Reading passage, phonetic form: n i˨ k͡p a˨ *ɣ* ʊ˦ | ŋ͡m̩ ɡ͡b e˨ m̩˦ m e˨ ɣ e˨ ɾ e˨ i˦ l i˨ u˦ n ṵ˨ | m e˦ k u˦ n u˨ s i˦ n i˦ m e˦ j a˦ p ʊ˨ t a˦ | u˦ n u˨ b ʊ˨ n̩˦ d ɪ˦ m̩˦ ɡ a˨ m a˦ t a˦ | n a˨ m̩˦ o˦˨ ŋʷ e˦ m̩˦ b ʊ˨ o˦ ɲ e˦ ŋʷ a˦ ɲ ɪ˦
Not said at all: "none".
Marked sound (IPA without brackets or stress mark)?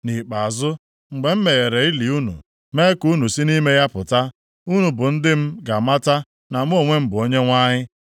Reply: z